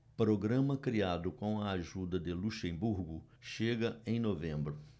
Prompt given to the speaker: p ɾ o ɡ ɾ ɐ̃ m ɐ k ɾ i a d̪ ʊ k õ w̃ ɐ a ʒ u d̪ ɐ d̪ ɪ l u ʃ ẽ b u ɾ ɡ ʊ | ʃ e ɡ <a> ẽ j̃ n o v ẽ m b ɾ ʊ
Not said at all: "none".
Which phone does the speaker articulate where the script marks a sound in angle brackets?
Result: ɐ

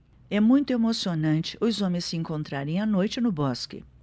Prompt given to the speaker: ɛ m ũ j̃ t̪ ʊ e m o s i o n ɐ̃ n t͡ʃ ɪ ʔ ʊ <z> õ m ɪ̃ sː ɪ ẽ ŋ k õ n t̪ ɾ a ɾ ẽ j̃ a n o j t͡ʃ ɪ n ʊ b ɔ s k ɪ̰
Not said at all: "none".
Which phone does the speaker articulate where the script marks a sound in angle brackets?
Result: z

